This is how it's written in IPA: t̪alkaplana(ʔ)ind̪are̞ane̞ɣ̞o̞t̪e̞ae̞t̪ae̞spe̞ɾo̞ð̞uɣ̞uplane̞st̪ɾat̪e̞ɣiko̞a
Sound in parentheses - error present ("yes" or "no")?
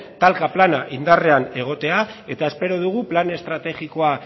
no